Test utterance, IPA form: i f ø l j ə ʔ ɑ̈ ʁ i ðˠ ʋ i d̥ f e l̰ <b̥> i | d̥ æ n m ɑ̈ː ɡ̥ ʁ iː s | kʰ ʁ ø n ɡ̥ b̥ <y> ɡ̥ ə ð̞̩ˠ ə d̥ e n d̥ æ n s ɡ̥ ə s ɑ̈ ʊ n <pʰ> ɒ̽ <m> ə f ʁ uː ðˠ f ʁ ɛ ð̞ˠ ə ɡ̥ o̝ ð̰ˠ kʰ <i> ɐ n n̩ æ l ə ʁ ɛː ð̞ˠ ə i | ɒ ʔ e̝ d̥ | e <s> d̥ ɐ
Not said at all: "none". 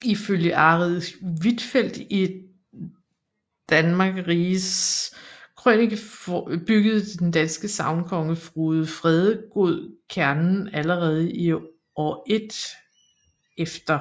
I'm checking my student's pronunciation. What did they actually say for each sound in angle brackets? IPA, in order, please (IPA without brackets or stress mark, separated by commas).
d̥, y, kʰ, ŋ, æ, f